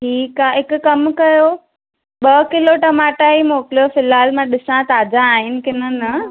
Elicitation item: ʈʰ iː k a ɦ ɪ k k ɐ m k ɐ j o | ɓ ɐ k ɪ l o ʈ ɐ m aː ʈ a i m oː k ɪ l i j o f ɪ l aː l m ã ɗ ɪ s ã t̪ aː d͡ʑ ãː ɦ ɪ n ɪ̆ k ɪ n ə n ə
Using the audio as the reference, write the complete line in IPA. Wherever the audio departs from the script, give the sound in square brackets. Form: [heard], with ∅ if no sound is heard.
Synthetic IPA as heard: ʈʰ iː k a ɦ ɪ k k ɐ m k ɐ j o | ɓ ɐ k ɪ l o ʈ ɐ m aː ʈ a i m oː k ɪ l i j o f ɪ l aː l m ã ɗ ɪ s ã t̪ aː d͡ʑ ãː ɦ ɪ n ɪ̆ k ɪ n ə n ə